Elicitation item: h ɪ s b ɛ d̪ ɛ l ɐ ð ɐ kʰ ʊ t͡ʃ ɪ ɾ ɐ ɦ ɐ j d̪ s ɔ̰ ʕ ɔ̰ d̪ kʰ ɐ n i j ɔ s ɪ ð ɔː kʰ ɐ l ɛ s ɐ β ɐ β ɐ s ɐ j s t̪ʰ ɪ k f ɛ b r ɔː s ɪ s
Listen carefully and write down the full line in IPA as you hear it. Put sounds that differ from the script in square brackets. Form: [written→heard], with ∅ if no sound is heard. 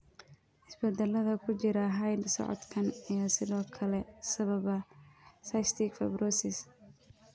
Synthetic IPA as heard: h ɪ s b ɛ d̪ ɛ l ɐ ð ɐ kʰ ʊ t͡ʃ ɪ ɾ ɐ ɦ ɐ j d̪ s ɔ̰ ʕ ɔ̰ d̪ kʰ ɐ n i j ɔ s ɪ ð ɔː kʰ ɐ l ɛ s ɐ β ɐ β ɐ s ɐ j s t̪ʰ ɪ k f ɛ b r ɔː s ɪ s